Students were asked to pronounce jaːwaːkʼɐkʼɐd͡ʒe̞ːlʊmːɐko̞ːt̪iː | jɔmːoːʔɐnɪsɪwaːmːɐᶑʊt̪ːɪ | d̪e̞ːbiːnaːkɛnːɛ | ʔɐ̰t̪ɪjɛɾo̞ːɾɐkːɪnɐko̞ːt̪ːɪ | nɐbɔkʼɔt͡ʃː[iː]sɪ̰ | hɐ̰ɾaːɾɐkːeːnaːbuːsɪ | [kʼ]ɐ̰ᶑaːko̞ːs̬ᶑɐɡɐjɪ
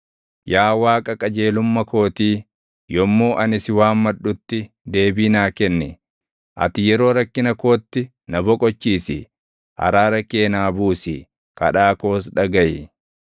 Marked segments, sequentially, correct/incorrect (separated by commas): correct, incorrect